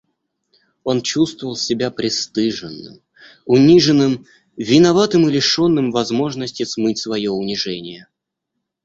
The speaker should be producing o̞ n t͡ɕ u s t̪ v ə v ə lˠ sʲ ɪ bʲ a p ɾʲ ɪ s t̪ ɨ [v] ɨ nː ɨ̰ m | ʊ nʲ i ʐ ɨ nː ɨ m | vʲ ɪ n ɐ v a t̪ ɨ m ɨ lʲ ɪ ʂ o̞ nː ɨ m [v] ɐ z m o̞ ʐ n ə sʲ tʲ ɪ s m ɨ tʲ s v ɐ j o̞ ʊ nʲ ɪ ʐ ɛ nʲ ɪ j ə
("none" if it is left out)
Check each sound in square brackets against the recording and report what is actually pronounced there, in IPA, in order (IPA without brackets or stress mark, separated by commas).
ʐ, v